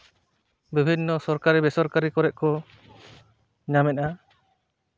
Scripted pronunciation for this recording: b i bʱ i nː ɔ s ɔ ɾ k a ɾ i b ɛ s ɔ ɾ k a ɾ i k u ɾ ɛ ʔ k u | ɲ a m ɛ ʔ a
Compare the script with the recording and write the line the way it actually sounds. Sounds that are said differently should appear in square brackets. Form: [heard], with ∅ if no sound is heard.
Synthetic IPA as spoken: b i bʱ i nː ɔ s ɔ ɾ k a ɾ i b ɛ s ɔ ɾ k a ɾ i k [ɔ] ɾ ɛ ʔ k [ɔ] | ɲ a m ɛ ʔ a